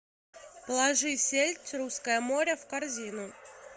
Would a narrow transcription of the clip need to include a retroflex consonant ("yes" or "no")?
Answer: yes